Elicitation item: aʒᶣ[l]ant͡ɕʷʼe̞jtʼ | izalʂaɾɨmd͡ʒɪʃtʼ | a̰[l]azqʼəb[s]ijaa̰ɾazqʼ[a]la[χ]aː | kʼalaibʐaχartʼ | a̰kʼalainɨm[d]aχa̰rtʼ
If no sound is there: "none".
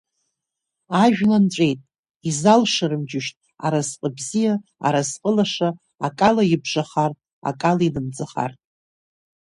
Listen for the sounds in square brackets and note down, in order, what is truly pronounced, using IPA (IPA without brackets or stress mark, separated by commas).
l, ɾ, z, ə, ʂ, d͡z